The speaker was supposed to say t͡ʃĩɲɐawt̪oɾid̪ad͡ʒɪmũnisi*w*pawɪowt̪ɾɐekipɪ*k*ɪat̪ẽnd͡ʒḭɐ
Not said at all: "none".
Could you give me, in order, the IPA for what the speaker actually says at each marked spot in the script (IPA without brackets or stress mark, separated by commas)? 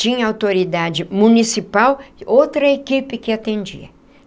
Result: none, k